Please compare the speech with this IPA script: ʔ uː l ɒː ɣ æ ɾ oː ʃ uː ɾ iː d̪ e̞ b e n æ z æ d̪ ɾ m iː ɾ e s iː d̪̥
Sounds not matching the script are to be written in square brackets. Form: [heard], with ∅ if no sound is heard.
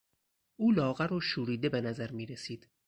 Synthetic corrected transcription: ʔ uː l ɒː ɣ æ ɾ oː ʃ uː ɾ iː d̪ e̞ b e n æ z æ [∅] ɾ m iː ɾ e s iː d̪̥